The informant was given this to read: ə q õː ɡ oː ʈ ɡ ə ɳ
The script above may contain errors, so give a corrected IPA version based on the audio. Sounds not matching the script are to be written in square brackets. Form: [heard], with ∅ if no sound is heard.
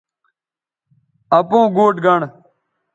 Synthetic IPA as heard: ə [p] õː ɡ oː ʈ ɡ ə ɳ